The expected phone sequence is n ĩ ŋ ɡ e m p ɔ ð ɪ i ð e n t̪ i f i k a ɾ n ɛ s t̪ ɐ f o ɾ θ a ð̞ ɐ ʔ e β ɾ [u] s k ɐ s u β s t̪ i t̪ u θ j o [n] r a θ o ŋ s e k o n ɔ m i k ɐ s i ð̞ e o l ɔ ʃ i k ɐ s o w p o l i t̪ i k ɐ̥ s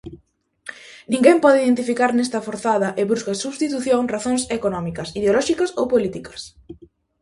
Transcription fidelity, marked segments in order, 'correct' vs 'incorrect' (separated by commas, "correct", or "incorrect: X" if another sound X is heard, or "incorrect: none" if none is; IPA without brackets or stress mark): correct, incorrect: ŋ